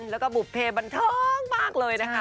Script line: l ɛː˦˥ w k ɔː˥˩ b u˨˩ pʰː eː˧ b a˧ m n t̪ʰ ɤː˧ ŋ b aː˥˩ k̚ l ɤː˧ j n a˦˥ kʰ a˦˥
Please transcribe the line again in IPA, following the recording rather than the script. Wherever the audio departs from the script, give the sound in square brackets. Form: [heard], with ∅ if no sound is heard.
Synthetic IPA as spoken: l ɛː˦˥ w k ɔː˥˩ b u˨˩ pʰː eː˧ b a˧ [∅] n t̪ʰ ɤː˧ ŋ [m] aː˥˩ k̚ l ɤː˧ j n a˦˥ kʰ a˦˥